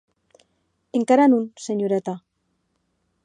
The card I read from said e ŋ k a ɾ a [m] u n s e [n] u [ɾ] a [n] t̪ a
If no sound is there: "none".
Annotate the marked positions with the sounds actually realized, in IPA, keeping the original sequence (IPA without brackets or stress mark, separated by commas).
n, ɲ, ɾ, none